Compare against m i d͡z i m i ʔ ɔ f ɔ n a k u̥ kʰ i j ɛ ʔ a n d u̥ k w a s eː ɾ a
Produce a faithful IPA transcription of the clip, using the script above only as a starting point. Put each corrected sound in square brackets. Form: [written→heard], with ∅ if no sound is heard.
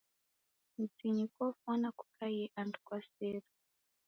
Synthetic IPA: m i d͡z i [m→ɲ] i [ʔ→k] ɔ f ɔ n a k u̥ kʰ [i→a] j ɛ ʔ a n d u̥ k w a s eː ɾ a